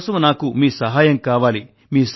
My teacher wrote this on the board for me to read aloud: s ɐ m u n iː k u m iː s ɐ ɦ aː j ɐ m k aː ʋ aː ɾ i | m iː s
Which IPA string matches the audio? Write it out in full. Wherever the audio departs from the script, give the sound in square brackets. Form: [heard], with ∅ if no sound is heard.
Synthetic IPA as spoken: s ɐ m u n [aː] k u m iː s ɐ ɦ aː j ɐ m k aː ʋ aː [l] i | m iː s